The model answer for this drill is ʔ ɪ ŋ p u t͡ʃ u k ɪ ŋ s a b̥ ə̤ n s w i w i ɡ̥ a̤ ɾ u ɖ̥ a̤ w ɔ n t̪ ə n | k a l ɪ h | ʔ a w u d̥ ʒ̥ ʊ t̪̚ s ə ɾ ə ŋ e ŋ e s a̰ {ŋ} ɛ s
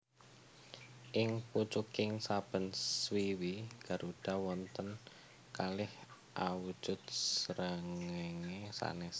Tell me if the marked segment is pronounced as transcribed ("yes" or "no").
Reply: no